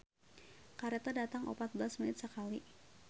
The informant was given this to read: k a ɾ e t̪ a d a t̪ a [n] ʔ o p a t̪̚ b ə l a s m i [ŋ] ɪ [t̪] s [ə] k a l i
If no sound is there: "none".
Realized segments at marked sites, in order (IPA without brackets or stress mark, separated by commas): ŋ, n, t̪, ə